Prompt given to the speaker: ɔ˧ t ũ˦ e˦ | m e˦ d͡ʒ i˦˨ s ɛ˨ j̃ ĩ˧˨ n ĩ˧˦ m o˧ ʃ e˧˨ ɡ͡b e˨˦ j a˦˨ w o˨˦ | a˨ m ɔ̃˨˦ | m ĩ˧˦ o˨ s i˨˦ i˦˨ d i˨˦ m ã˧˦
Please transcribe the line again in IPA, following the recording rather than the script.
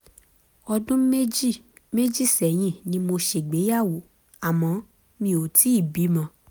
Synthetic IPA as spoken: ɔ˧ d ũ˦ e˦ | m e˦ d͡ʒ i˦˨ s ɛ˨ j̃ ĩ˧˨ n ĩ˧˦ m o˧ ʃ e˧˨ ɡ͡b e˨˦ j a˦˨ w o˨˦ | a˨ m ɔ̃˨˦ | m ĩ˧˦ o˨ t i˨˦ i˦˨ b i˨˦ m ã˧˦

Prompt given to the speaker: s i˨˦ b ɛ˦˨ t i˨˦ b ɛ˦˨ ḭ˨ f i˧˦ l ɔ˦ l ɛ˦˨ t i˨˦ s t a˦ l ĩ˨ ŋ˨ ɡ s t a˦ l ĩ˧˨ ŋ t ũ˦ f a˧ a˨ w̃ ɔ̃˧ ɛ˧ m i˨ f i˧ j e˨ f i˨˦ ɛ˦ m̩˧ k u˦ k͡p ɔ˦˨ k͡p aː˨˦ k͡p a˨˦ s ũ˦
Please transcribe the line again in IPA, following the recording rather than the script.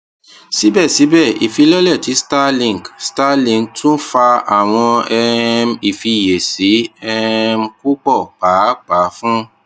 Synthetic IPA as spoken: s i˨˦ b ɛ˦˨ s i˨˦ b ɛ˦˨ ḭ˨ f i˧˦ l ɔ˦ l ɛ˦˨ t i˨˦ s t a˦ l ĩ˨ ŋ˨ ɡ s t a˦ l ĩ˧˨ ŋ t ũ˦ f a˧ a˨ w̃ ɔ̃˧ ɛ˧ m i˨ f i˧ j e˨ s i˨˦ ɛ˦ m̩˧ k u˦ k͡p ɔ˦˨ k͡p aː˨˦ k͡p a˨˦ f ũ˦

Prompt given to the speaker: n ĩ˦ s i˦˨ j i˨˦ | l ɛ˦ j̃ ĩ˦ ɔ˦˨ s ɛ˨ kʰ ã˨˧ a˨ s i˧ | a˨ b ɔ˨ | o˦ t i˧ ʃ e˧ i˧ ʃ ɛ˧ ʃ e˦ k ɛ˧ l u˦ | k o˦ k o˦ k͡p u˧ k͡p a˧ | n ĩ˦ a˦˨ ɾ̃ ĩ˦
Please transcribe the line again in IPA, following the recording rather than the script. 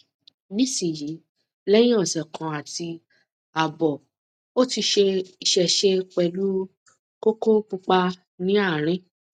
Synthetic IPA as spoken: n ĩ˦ s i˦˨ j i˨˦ | l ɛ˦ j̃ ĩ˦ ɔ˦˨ s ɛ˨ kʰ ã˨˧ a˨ t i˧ | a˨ b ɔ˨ | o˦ t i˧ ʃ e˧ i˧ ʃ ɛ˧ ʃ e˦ k͡p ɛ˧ l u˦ | k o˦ k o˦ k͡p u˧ k͡p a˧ | n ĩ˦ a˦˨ ɾ̃ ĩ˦

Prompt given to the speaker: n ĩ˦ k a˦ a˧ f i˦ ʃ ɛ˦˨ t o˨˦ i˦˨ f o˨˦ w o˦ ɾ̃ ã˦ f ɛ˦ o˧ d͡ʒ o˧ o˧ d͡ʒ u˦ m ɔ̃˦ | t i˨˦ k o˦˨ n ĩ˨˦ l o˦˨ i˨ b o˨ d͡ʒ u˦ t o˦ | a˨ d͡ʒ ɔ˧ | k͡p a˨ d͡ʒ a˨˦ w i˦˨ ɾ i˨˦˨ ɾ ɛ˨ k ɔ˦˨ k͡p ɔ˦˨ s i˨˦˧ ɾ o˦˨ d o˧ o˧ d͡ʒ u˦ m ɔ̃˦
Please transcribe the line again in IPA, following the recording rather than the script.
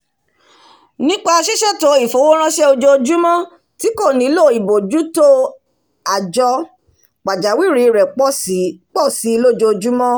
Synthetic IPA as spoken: n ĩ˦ k͡p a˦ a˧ ʃ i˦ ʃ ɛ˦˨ t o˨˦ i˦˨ f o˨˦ w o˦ ɾ̃ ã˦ ʃ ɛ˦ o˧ d͡ʒ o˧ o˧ d͡ʒ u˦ m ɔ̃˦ | t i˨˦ k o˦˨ n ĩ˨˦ l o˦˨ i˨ b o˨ d͡ʒ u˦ t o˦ | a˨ d͡ʒ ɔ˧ | k͡p a˨ d͡ʒ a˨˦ w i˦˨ ɾ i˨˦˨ ɾ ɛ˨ k͡p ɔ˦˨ k͡p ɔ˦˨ s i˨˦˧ l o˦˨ d͡ʒ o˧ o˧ d͡ʒ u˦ m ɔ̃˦

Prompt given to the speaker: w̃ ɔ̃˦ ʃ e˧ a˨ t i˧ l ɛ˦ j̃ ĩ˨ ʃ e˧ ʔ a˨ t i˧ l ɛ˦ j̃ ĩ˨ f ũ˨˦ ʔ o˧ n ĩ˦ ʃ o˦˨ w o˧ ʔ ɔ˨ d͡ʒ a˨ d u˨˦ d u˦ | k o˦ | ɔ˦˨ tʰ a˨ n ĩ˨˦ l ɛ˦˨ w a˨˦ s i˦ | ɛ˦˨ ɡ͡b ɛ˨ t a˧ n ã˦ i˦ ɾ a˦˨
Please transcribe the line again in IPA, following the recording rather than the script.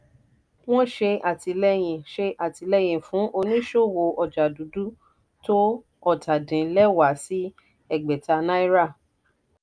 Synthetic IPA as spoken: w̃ ɔ̃˦ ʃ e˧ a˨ t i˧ l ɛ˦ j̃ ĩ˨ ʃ e˧ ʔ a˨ t i˧ l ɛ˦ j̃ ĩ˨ f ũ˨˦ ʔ o˧ n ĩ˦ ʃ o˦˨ w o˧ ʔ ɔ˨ d͡ʒ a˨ d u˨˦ d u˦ | t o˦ | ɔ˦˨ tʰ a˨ d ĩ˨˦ l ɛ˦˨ w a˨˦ s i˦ | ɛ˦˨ ɡ͡b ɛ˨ t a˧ n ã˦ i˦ ɾ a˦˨

